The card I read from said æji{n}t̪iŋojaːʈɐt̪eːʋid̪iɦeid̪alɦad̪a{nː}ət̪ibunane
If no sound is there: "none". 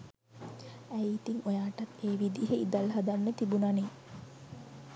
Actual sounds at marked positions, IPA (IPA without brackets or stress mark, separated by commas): none, nː